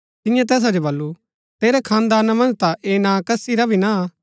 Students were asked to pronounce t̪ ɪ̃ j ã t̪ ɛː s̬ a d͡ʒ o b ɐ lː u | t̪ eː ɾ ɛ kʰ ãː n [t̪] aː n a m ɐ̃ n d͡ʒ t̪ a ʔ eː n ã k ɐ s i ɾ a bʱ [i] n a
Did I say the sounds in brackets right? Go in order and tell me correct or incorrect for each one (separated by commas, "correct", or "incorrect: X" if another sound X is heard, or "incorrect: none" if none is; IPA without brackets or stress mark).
incorrect: d̪, correct